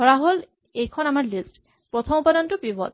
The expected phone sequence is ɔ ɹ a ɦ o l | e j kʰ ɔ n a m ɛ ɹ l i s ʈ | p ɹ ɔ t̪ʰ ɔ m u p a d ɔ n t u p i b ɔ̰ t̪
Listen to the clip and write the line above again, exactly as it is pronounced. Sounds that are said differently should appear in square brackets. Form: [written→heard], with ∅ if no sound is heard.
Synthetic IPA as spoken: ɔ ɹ a ɦ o l | e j kʰ ɔ n a m [ɛ→a] ɹ l i s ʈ | p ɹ ɔ t̪ʰ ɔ m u p a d ɔ n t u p i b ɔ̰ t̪